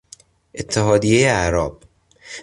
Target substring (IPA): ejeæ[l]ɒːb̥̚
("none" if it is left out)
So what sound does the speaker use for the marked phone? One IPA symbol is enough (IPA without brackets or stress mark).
ɾ